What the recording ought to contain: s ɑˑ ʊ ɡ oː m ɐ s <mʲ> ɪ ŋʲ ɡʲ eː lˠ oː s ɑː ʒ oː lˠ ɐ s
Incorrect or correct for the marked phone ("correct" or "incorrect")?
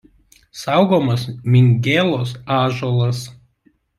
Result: correct